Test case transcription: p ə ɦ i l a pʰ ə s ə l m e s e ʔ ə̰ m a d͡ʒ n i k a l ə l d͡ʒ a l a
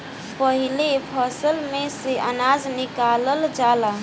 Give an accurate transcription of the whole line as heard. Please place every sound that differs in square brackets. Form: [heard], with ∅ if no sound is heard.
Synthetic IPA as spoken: p ə ɦ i l [e] pʰ ə s ə l m e s e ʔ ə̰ [n] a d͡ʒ n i k a l ə l d͡ʒ a l a